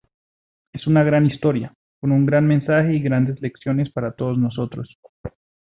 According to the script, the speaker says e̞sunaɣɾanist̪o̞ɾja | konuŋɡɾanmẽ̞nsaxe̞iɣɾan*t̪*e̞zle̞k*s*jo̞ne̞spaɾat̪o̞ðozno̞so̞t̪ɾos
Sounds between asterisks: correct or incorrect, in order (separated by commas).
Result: incorrect, correct